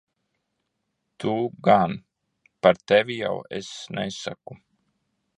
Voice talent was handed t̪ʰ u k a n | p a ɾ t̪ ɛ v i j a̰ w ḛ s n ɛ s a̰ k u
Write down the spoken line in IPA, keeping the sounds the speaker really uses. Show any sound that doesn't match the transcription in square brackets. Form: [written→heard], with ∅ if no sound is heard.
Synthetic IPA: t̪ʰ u [k→ɡ] a n | p a ɾ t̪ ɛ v i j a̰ w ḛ s n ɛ s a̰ k u